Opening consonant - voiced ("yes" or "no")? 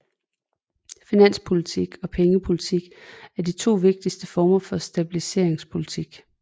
no